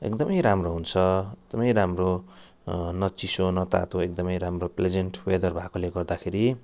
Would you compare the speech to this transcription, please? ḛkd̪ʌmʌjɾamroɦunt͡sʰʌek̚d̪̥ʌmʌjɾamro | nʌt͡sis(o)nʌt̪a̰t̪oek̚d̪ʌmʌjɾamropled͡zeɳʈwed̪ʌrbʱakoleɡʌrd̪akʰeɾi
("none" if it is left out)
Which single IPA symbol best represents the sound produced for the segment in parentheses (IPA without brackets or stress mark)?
o